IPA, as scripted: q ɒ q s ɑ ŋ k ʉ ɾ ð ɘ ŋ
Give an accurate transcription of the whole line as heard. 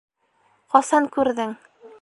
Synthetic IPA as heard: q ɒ s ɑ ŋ k ʉ ɾ ð ɘ ŋ